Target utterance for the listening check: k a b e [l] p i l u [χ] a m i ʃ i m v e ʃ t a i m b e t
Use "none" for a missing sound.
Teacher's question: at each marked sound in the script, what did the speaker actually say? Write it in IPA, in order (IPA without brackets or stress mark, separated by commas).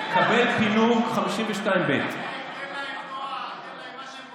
l, χ